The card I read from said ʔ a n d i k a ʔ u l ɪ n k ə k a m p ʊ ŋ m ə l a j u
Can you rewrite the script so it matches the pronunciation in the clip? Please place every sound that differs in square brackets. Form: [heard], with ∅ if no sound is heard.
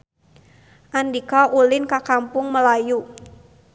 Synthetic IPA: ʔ a n d i k a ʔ u l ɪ n k [a] k a m p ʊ ŋ m ə l a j u

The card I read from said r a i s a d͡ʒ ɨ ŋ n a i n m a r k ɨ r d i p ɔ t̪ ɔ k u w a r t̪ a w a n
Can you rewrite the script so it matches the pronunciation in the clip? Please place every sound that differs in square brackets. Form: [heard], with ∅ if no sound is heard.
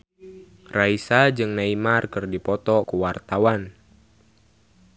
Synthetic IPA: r a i s a d͡ʒ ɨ ŋ n a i [∅] m a r k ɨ r d i p ɔ t̪ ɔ k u w a r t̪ a w a n

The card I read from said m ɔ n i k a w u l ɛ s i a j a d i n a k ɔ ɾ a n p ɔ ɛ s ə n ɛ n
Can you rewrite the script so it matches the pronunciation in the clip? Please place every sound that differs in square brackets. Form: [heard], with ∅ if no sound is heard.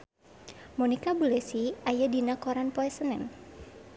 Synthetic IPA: m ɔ n i k a [b] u l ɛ s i a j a d i n a k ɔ ɾ a n p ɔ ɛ s ə n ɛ n

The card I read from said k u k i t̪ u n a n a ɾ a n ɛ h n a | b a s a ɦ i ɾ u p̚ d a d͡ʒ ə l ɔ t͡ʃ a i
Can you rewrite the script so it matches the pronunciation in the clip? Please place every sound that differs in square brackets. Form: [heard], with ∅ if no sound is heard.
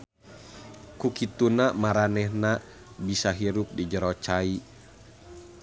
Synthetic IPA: k u k i t̪ u n a [m] a ɾ a n ɛ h n a | b [i] s a ɦ i ɾ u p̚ d [i] d͡ʒ ə [ɾ] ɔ t͡ʃ a i

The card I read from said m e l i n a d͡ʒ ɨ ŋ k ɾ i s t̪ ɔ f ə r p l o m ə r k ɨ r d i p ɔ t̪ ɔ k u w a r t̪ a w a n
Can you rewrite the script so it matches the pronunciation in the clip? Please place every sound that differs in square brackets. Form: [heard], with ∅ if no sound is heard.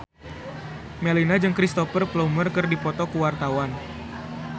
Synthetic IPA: m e l i n a d͡ʒ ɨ ŋ k ɾ i s t̪ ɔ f ə r p l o m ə r k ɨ r d i p ɔ t̪ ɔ k u w a r t̪ a w a n

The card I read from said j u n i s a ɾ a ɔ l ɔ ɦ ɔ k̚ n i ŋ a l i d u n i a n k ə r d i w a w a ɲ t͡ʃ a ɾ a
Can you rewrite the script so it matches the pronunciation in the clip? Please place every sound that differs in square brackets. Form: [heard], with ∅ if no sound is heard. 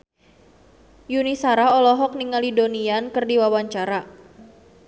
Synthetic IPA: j u n i s a ɾ a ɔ l ɔ ɦ ɔ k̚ n i ŋ a l i d [o] n i a n k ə r d i w a w a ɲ t͡ʃ a ɾ a

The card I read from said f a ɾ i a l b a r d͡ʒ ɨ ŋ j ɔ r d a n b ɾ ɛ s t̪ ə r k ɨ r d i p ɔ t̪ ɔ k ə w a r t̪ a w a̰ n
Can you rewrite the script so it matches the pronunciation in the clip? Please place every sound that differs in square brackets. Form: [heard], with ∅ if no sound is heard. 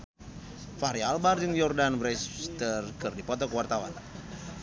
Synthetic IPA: f a ɾ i a l b a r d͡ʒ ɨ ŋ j ɔ r d a n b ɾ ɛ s t̪ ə r k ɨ r d i p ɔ t̪ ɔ k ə w a r t̪ a w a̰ n

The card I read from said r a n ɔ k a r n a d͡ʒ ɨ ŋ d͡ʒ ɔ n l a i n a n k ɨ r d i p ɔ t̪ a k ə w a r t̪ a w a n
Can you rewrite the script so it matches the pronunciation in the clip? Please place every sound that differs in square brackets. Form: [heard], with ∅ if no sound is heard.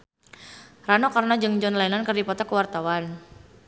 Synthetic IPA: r a n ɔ k a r n a d͡ʒ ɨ ŋ d͡ʒ ɔ n l a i n a n k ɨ r d i p ɔ t̪ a k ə w a r t̪ a w a n

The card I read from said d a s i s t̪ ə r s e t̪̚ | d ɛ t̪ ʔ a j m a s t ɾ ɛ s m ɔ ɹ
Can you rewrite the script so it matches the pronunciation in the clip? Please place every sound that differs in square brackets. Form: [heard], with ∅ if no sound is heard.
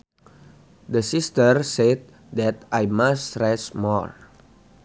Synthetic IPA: d [ə] s i s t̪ ə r s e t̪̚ | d ɛ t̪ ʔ a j m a s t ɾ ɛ s m ɔ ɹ

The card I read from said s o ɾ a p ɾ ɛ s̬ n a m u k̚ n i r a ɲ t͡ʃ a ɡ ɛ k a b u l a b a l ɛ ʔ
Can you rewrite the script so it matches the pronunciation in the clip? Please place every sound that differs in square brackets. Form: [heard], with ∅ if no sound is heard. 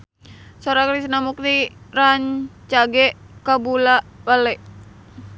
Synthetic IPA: s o ɾ a [k] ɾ [i] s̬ n a m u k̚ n i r a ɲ t͡ʃ a ɡ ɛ k a b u l a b a l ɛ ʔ

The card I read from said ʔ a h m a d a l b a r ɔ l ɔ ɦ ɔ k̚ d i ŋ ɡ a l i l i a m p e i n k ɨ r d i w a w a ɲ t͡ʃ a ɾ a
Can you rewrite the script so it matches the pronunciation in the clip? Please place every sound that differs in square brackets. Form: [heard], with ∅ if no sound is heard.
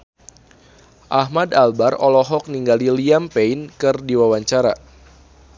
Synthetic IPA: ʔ a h m a d a l b a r ɔ l ɔ ɦ ɔ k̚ [n] i ŋ ɡ a l i l i a m p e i n k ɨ r d i w a w a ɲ t͡ʃ a ɾ a

